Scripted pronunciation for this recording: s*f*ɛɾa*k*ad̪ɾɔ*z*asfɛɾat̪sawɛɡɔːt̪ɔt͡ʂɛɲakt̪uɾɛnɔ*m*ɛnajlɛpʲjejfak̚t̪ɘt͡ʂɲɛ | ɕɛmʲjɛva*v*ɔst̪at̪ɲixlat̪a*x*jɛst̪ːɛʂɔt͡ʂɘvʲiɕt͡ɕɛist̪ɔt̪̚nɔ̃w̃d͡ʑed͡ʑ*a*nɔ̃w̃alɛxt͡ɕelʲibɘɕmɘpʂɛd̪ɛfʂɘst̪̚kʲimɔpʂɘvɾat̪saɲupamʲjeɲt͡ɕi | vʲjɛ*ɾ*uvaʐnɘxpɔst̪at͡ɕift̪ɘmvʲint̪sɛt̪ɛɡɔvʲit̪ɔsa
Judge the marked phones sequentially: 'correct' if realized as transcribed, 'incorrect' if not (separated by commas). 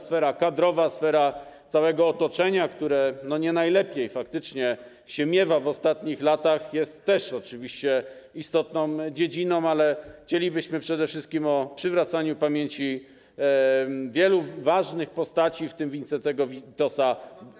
correct, correct, incorrect, incorrect, correct, correct, incorrect, incorrect